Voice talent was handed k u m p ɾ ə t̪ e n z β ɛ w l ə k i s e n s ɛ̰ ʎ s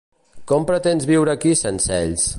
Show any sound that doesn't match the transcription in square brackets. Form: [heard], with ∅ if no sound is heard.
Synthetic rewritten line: k [ɔ] m p ɾ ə t̪ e n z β [i] w [ɾ] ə k i s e n s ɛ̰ ʎ s